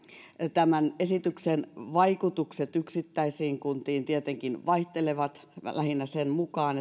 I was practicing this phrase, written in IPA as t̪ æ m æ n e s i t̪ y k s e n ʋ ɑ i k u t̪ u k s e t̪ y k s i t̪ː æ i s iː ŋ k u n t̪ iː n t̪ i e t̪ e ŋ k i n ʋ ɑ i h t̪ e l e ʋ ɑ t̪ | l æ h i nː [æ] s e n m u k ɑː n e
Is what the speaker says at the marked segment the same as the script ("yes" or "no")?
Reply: yes